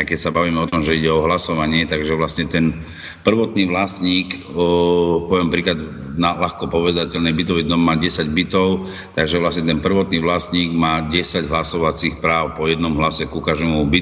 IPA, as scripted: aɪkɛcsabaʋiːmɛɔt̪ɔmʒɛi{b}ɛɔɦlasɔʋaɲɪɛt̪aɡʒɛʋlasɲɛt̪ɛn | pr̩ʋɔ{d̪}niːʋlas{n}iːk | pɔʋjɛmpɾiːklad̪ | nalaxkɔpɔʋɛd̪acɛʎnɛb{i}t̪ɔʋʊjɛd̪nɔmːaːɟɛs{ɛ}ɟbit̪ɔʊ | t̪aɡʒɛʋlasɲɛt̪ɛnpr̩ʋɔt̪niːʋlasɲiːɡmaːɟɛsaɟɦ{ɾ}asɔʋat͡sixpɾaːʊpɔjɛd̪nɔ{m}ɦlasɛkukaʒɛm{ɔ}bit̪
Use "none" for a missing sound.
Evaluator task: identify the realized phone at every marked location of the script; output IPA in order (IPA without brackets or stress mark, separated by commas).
ɟ, t̪, ɲ, i, a, l, m, u